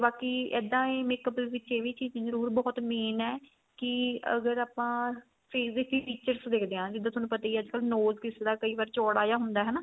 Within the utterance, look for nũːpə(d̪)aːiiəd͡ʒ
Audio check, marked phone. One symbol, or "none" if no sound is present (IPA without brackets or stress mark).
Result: t̪